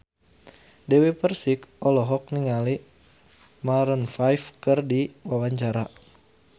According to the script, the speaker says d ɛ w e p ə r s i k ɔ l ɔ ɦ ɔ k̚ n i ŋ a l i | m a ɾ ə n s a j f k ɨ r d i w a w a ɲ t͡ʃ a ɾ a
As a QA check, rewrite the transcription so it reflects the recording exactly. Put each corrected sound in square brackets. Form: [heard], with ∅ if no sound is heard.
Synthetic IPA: d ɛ w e p ə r s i k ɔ l ɔ ɦ ɔ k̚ n i ŋ a l i | m a ɾ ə n [f] a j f k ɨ r d i w a w a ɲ t͡ʃ a ɾ a